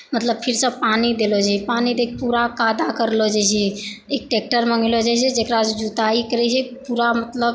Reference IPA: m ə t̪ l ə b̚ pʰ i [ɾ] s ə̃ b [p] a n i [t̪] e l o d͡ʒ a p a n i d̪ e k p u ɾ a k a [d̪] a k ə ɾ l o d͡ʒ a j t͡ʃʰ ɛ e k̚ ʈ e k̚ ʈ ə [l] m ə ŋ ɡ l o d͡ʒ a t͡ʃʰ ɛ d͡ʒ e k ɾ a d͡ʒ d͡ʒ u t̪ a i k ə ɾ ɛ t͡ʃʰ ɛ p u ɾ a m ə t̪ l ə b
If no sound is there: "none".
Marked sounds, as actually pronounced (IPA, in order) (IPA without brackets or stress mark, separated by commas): ɾ, p, d̪, d̪, ɾ